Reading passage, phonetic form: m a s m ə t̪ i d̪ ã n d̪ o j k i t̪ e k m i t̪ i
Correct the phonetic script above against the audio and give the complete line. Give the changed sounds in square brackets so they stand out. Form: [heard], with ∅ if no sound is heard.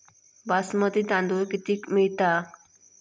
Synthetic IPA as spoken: [b] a s m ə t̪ i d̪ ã n d̪ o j k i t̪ [i] k m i t̪ [a]